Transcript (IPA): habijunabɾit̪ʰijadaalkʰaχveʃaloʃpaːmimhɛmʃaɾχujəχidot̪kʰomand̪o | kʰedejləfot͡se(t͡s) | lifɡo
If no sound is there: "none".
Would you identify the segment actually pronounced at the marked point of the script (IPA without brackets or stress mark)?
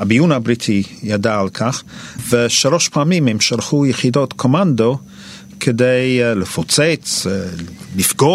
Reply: t͡s